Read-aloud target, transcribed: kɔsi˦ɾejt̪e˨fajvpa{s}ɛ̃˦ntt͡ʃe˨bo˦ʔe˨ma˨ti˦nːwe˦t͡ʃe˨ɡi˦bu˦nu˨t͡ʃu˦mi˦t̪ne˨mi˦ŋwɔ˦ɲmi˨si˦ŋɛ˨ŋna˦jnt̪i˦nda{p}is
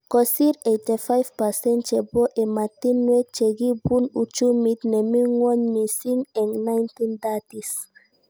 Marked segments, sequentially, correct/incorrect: correct, incorrect

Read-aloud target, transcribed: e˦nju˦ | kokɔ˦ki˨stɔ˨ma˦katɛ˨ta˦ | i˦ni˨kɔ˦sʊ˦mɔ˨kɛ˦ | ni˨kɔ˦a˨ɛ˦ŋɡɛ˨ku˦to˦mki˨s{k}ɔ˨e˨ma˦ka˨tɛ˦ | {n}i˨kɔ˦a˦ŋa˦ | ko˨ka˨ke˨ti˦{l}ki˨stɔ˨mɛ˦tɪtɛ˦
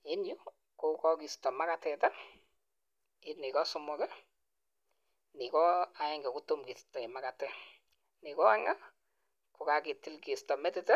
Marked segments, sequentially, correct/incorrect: incorrect, correct, correct

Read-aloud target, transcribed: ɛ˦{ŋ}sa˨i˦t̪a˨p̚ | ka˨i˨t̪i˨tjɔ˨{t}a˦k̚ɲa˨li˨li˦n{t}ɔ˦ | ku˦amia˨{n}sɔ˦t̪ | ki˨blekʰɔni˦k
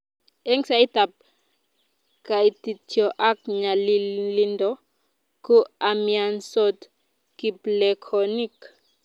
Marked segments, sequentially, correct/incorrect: correct, incorrect, incorrect, correct

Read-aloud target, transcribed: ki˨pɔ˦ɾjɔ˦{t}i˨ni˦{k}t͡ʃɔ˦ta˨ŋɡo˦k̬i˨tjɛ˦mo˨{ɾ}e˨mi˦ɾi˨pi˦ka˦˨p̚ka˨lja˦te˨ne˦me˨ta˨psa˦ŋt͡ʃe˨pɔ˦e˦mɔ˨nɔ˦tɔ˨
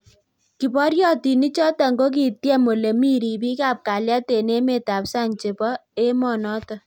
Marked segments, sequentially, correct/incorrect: correct, incorrect, incorrect

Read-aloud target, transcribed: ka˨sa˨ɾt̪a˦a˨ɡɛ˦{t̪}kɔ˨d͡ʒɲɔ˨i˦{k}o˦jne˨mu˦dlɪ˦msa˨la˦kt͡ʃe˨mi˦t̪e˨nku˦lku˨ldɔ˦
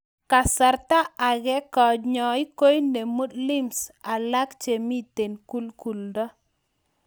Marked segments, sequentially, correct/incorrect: incorrect, correct

